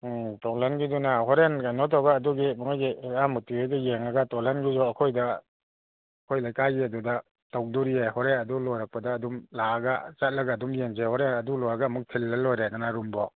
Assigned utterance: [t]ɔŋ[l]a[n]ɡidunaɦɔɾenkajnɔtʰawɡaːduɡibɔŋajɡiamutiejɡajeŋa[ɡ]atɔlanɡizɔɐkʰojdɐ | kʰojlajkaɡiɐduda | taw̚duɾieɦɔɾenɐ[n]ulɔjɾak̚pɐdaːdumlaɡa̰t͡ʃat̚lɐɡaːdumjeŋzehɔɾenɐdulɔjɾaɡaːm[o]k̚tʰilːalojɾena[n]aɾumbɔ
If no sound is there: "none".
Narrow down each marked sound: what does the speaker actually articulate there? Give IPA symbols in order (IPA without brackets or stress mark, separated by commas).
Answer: t, l, n, ɡ, d, u, n